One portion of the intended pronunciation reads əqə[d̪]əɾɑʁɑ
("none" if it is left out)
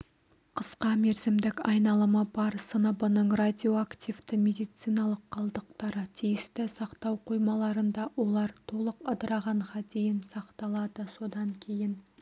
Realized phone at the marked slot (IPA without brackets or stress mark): d̪